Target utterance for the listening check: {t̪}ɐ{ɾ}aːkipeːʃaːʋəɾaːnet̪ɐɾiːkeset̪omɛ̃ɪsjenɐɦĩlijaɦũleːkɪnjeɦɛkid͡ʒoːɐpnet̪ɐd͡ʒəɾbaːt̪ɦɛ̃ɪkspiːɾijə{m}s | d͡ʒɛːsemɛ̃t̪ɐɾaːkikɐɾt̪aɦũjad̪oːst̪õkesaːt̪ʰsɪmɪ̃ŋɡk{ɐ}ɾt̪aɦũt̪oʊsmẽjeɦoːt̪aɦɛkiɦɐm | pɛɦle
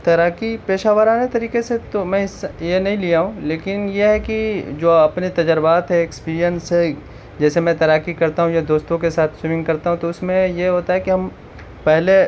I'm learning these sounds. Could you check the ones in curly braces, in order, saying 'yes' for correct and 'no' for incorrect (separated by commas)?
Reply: yes, yes, no, yes